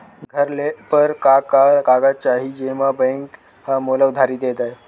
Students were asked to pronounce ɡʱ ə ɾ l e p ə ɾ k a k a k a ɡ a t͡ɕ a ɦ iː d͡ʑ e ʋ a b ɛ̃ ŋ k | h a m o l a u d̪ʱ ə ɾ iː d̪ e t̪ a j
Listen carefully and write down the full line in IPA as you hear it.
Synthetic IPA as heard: ɡʱ ə ɾ l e p ə ɾ k a k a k a ɡ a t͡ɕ a ɦ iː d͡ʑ e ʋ a b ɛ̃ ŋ k | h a m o l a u d̪ʱ a ɾ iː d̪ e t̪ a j